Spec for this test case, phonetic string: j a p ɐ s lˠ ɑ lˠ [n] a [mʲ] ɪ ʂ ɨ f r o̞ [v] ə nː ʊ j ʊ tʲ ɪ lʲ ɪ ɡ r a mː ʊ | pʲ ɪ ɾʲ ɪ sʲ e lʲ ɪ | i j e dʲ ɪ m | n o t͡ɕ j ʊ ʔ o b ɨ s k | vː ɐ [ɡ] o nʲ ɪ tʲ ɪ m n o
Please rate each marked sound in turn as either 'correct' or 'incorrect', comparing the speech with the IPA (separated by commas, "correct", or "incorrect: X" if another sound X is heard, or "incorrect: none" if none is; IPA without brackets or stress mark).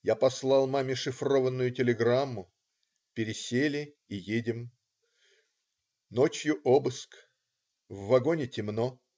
incorrect: m, correct, correct, correct